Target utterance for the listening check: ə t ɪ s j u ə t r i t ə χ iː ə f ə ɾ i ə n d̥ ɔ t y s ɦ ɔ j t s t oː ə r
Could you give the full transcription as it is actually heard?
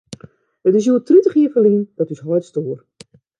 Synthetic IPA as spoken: ə t ɪ s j u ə t r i t ə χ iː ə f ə l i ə n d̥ ɔ t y s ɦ ɔ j t s t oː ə r